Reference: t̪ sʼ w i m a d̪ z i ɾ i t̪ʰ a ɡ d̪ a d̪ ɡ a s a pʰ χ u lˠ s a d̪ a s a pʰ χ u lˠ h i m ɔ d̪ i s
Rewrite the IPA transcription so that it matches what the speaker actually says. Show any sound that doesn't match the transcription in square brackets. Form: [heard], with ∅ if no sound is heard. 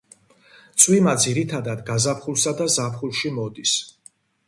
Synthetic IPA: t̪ sʼ w i m a d̪ z i ɾ i t̪ʰ a [∅] d̪ a d̪ ɡ a [z] a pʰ χ u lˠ s a d̪ a [z] a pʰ χ u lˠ [ʃ] i m ɔ d̪ i s